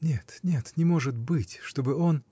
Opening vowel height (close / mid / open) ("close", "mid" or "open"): mid